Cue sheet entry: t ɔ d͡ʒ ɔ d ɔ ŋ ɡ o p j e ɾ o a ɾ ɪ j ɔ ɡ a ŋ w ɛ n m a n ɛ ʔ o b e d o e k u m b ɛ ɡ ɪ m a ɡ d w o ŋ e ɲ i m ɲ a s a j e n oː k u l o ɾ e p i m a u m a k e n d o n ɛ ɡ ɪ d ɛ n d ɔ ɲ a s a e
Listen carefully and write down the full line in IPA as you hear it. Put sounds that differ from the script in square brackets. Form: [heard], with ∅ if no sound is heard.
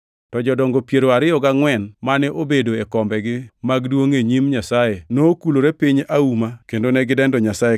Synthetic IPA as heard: t ɔ d͡ʒ ɔ d ɔ ŋ ɡ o p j e ɾ o a ɾ ɪ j ɔ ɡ a ŋ w ɛ n m a n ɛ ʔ o b e d o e k [ɔ] m b ɛ ɡ ɪ m a ɡ d w o ŋ e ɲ i m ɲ a s a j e n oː k u l o ɾ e p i [ɲ] a u m a k e n d o n ɛ ɡ ɪ d ɛ n d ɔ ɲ a s a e